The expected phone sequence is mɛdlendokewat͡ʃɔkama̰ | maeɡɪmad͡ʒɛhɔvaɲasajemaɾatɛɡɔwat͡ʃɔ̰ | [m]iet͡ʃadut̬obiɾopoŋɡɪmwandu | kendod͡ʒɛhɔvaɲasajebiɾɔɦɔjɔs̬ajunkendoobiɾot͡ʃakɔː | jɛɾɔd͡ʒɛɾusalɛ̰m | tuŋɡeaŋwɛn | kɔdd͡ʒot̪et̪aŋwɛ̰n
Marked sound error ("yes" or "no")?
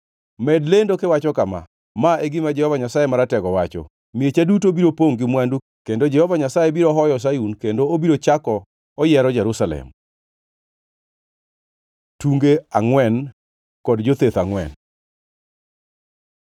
no